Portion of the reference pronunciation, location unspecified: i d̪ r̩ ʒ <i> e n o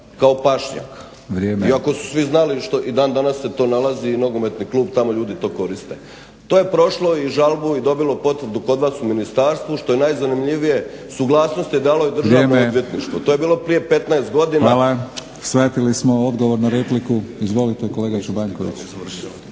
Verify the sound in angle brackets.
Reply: incorrect: a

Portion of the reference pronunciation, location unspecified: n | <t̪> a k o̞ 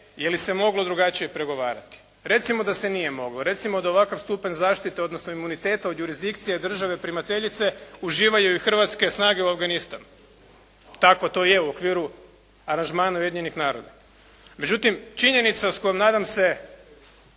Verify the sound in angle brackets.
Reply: correct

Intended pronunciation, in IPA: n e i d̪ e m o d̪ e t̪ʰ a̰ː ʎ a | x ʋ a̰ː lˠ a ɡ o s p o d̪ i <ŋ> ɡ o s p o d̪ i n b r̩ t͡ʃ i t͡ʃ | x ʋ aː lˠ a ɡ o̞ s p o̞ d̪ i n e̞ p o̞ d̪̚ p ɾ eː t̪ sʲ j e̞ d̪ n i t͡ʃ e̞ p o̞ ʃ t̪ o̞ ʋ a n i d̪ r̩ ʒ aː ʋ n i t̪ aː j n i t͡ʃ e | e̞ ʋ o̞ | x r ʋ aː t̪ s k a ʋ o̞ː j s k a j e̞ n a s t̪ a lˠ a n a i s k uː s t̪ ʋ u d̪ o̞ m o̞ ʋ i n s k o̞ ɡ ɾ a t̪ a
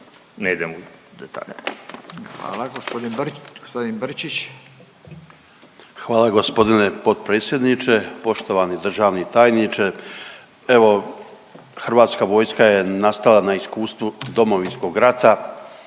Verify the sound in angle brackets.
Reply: incorrect: n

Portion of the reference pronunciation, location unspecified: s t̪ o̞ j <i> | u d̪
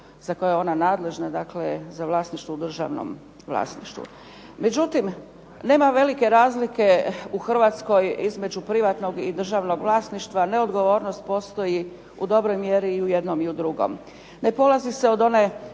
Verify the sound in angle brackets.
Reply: correct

